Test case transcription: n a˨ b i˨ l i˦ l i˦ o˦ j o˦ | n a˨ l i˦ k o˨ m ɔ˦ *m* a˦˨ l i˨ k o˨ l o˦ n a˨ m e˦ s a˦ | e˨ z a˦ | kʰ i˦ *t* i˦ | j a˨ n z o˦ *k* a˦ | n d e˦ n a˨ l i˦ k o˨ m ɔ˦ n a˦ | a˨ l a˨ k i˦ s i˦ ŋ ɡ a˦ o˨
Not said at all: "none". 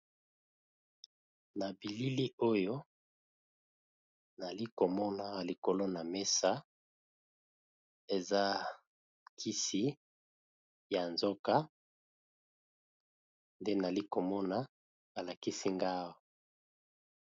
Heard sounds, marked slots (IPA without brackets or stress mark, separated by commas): n, s, k